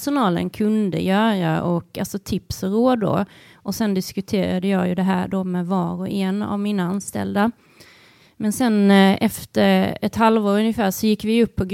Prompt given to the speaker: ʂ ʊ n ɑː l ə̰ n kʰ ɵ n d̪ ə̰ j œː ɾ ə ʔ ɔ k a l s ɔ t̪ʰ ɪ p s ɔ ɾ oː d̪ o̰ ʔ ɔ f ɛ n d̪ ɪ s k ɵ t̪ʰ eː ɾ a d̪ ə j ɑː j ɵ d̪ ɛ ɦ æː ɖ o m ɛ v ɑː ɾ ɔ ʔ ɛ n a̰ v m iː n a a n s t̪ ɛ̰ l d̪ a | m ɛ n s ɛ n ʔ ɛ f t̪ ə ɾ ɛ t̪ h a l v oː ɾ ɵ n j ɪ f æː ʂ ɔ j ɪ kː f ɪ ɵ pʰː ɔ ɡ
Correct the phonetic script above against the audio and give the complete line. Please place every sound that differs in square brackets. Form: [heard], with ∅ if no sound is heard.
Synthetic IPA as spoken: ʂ ʊ n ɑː l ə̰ n kʰ ɵ n d̪ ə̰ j œː ɾ [a] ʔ ɔ k a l s ɔ t̪ʰ ɪ p s ɔ ɾ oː d̪ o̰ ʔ ɔ [s] ɛ n d̪ ɪ s k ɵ t̪ʰ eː ɾ a d̪ ə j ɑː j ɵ d̪ ɛ ɦ æː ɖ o m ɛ v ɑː ɾ ɔ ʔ ɛ n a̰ v m iː n a a n s t̪ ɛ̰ l d̪ a | m ɛ n s ɛ n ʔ ɛ f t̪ ə ɾ ɛ t̪ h a l v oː ɾ ɵ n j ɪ f æː ʂ ɔ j ɪ kː [v] ɪ ɵ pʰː ɔ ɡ